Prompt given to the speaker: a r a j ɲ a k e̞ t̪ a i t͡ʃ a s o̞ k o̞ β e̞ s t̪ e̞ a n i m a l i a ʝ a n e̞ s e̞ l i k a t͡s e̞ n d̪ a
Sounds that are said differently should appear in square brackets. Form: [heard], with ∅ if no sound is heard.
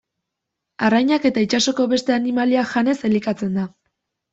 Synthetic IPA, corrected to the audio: a r a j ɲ a k e̞ t̪ a i t͡ʃ a s o̞ k o̞ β e̞ s t̪ e̞ a n i m a l i a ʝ a n e̞ s e̞ l i k a t͡s e̞ n d̪ a